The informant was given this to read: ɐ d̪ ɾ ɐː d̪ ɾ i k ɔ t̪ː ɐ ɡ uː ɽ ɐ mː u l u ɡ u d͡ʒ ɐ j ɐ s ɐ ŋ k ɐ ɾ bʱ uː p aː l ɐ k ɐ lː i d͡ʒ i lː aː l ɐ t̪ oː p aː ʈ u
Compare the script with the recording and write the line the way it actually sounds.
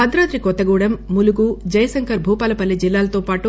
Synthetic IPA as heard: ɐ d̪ ɾ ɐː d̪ ɾ i k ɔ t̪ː ɐ ɡ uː ɽ ɐ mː u l u ɡ u d͡ʒ ɐ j ɐ s ɐ ŋ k ɐ ɾ bʱ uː p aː l ɐ p ɐ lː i d͡ʒ i lː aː l ɐ t̪ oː p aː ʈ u